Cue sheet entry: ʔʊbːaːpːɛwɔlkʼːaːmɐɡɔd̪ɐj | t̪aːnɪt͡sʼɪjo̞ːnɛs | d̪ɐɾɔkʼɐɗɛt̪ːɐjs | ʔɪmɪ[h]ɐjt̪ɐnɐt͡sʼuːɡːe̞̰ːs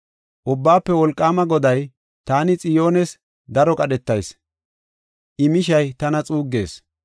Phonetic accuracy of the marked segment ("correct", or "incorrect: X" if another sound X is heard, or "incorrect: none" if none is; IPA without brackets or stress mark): incorrect: ʃ